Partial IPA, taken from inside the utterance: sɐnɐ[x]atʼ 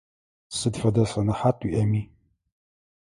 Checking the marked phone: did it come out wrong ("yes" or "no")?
yes